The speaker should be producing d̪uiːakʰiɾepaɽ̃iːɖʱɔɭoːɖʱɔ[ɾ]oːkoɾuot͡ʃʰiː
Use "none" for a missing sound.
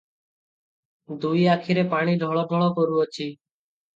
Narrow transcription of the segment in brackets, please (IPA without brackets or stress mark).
ɭ